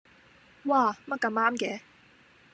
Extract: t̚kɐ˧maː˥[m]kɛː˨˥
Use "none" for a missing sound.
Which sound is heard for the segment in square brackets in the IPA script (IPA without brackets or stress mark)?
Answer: m